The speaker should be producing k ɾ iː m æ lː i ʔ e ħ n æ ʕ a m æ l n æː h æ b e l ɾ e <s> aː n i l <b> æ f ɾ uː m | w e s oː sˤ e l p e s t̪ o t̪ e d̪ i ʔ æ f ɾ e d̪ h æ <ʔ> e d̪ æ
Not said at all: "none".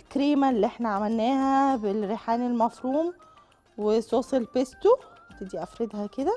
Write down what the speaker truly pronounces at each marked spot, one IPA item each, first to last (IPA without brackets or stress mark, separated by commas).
ħ, m, k